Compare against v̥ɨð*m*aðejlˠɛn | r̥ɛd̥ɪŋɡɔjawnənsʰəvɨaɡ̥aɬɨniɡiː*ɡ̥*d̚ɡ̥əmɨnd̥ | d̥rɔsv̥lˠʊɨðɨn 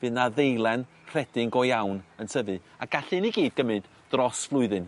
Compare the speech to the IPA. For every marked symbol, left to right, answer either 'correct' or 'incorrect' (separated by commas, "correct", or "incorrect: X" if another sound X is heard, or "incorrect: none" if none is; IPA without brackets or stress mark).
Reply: incorrect: n, incorrect: none